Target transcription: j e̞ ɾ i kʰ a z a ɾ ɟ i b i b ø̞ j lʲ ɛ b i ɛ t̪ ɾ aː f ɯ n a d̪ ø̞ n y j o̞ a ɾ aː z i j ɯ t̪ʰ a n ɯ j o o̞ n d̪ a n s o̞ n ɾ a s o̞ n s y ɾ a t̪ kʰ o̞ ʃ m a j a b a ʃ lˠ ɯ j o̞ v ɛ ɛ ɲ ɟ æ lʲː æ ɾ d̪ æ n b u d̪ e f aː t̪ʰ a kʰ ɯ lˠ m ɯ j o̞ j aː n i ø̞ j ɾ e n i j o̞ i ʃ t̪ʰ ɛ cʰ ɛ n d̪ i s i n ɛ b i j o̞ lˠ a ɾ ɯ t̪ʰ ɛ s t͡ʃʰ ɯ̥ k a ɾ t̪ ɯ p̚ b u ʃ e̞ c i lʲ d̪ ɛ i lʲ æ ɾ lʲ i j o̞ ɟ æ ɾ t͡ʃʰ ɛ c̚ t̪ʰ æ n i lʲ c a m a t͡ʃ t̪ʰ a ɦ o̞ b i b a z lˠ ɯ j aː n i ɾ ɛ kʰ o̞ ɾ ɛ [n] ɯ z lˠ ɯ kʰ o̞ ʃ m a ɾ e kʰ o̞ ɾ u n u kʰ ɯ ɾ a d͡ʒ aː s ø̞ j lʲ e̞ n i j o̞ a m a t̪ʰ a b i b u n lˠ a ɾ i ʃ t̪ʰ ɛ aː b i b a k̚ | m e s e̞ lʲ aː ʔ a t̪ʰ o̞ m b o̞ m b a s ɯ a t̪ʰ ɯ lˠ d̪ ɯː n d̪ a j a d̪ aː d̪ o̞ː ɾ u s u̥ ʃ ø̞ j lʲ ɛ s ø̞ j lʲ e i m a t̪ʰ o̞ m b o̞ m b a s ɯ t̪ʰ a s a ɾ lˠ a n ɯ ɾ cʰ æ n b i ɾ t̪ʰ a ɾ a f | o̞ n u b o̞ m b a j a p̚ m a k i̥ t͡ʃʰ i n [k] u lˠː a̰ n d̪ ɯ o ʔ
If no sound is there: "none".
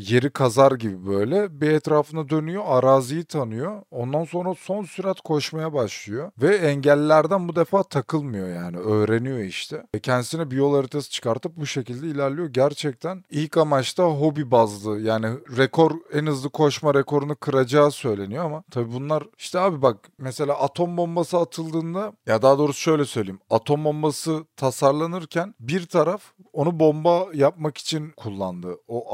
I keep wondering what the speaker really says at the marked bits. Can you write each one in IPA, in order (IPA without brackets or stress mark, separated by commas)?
n, kʰ